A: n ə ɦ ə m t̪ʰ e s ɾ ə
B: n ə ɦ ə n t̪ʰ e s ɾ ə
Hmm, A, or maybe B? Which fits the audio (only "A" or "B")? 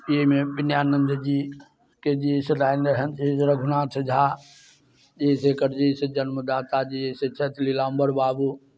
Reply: B